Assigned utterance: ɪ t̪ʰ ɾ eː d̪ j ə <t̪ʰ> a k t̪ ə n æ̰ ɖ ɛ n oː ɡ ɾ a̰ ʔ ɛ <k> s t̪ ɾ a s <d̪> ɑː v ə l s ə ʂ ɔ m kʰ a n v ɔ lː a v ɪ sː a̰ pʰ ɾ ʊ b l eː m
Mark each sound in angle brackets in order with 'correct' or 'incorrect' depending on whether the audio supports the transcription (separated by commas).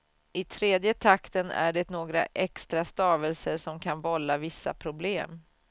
correct, correct, incorrect